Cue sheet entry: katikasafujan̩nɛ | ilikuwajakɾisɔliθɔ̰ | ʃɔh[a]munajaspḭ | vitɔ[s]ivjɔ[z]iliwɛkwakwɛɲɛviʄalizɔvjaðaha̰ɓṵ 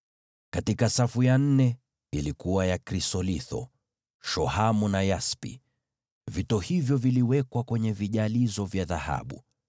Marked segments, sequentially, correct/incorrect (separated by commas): correct, incorrect, incorrect